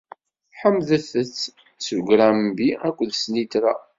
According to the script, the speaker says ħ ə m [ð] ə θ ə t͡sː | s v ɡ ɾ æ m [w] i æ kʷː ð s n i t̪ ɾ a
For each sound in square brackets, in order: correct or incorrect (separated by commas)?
correct, incorrect